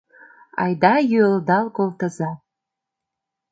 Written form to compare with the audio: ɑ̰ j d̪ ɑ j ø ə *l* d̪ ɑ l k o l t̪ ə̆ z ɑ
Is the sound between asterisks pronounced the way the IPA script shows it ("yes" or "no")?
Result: yes